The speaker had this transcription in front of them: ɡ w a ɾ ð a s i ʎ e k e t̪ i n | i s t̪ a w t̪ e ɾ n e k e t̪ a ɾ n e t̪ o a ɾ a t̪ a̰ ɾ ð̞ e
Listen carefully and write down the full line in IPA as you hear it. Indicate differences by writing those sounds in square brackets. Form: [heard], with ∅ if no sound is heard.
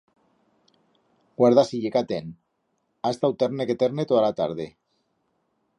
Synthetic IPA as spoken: ɡ w a ɾ ð a s i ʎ e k [a] t̪ [e] n | [a] s t̪ a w t̪ e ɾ n e k e t̪ [e] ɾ n e t̪ o a [l] a t̪ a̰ ɾ ð̞ e